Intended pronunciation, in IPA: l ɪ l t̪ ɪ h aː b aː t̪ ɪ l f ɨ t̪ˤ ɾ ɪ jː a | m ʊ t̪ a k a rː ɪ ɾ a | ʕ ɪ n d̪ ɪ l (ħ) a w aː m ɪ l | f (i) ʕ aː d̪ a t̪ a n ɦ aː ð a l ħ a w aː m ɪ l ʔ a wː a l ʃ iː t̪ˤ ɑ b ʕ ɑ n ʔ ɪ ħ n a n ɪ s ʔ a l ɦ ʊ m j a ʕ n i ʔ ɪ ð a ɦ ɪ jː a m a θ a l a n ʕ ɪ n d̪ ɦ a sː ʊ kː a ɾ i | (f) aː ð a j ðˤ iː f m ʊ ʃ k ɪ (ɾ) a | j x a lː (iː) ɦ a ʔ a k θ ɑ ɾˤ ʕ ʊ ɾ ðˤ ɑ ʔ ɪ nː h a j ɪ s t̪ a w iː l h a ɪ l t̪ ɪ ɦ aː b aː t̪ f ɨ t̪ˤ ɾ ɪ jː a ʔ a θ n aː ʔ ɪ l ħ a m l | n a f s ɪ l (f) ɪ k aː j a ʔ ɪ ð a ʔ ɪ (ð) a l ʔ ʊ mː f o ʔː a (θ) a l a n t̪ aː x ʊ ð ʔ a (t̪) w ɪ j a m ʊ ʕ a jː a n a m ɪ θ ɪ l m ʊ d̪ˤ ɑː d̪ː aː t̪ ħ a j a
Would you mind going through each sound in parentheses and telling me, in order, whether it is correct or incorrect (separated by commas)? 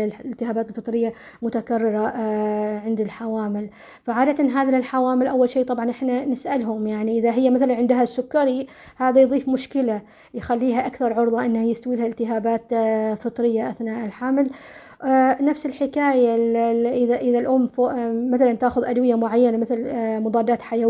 correct, incorrect, incorrect, incorrect, correct, incorrect, correct, correct, incorrect